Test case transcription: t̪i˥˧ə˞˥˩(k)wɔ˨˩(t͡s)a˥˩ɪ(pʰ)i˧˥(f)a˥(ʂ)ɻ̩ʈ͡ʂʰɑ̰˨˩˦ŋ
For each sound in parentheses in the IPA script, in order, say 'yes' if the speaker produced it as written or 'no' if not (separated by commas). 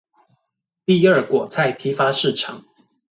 yes, no, yes, yes, yes